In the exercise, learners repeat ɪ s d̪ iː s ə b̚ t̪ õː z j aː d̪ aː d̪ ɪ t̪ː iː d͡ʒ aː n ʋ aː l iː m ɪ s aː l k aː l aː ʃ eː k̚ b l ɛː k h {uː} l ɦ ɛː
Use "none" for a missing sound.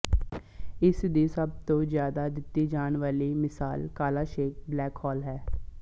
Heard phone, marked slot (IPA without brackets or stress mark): ɔː